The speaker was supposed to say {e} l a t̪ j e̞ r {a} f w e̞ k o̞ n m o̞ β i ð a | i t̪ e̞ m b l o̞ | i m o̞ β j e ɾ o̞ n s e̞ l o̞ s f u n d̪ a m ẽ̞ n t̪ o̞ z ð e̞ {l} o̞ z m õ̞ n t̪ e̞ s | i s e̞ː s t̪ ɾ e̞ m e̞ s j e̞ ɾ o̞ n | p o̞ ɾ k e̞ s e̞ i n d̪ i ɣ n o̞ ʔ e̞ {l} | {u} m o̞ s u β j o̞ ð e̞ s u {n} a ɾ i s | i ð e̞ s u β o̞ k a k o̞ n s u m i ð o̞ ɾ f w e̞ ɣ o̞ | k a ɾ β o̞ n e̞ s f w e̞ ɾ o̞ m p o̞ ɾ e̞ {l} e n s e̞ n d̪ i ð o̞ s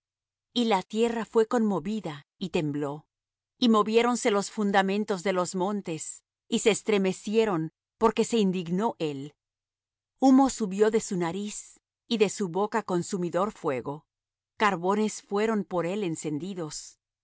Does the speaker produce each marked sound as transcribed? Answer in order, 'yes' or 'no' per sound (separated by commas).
no, yes, yes, yes, yes, yes, yes